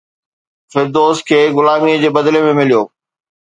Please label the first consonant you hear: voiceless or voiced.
voiceless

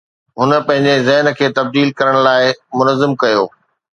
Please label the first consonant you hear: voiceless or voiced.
voiced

